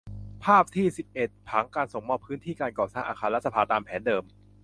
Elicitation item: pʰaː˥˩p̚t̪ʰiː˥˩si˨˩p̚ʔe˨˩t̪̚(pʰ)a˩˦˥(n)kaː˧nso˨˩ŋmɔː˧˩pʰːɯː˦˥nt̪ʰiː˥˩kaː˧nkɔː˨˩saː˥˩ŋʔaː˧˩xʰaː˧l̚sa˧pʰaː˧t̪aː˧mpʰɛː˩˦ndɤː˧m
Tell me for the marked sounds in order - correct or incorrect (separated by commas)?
correct, incorrect